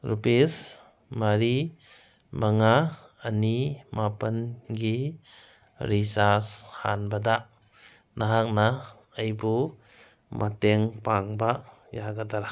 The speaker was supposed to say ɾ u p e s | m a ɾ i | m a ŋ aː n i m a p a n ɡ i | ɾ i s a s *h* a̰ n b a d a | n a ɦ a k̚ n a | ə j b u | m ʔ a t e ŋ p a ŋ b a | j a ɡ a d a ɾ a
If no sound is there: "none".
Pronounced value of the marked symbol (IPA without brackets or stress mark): h